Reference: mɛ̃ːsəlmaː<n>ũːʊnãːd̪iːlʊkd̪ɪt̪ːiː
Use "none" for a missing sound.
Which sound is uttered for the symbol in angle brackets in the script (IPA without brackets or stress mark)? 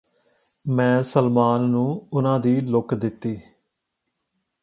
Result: nː